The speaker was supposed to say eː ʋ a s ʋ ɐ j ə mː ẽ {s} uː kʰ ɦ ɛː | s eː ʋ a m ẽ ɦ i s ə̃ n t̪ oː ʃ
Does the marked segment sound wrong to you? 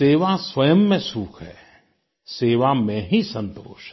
no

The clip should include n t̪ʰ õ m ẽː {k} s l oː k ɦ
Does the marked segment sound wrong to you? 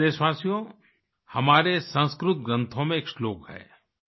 no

